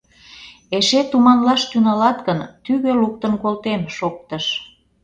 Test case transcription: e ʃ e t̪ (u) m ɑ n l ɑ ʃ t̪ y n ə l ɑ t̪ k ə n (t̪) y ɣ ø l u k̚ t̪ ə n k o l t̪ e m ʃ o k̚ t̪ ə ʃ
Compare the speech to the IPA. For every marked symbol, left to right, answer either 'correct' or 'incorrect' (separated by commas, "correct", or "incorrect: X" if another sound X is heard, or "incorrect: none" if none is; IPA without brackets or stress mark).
correct, correct